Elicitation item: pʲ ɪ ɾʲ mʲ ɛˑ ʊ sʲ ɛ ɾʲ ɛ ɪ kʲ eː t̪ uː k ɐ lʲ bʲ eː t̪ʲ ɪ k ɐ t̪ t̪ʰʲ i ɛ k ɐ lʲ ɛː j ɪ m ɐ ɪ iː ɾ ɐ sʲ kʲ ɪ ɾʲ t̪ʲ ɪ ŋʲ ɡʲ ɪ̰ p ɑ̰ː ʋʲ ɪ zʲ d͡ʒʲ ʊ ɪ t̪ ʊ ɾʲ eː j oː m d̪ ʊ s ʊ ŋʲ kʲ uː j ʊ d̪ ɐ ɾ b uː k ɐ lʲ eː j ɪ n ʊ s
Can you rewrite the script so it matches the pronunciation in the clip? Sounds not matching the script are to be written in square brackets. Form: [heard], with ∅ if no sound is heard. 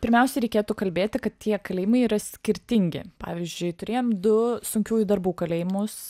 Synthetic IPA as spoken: pʲ ɪ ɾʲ mʲ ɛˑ ʊ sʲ ɛ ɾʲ ɛ ɪ kʲ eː t̪ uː k ɐ lʲ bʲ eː t̪ʲ ɪ k ɐ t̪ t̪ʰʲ i ɛ k ɐ lʲ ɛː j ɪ m ɐ ɪ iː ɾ ɐ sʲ kʲ ɪ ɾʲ t̪ʲ ɪ ŋʲ ɡʲ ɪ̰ p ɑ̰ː ʋʲ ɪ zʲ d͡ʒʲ ʊ ɪ t̪ ʊ ɾʲ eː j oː m d̪ ʊ s ʊ ŋʲ kʲ uː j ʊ d̪ ɐ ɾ b uː k ɐ lʲ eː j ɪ [m] ʊ s